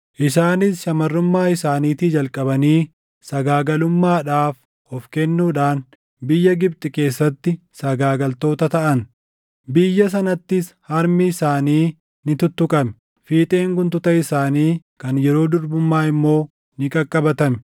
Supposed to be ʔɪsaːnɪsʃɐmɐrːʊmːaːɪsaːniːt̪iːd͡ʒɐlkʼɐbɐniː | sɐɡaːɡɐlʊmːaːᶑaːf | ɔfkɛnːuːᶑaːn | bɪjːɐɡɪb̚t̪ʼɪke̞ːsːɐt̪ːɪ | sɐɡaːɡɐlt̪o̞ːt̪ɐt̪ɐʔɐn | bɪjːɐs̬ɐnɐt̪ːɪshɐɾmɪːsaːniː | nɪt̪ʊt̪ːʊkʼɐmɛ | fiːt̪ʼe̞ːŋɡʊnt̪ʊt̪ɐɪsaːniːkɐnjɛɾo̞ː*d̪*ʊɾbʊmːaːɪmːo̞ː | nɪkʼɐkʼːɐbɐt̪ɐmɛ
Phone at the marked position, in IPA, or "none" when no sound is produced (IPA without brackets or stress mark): d̪